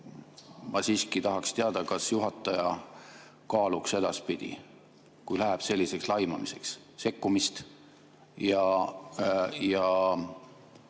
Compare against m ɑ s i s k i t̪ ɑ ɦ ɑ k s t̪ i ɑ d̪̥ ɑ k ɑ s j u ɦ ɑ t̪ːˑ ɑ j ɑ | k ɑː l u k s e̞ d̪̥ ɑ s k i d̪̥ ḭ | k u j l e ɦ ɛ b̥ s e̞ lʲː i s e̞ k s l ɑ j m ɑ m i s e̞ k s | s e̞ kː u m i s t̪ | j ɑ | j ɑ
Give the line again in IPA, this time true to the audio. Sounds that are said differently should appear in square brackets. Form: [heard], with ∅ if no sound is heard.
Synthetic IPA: m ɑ s [iː] s k i t̪ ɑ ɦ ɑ k s t̪ [e] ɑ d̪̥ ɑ k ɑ s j u ɦ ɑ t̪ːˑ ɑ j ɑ | k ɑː l u k s e̞ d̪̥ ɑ s [p] i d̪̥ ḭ | k u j l [æ] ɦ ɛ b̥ s e̞ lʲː i s e̞ k s l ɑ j m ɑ m i s e̞ k s | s e̞ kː u m i s t̪ | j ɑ | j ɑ